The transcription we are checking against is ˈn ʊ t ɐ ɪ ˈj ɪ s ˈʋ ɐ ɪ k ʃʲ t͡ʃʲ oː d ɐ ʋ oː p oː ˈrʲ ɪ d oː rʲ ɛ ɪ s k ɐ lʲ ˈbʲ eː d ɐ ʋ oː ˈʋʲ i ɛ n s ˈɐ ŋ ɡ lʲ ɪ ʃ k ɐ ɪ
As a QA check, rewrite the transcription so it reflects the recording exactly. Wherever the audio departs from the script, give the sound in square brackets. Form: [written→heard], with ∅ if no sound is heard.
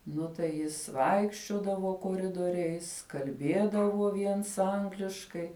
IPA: ˈn ʊ t ɐ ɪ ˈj ɪ s ˈʋ ɐ ɪ k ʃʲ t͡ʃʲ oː d ɐ ʋ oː [p→k] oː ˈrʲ ɪ d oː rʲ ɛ ɪ s k ɐ lʲ ˈbʲ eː d ɐ ʋ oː ˈʋʲ i ɛ n s ˈɐ ŋ ɡ lʲ ɪ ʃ k ɐ ɪ